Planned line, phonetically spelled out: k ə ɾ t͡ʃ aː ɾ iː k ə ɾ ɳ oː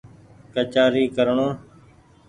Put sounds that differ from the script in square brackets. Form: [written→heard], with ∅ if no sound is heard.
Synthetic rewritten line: k ə [ɾ→∅] t͡ʃ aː ɾ iː k ə ɾ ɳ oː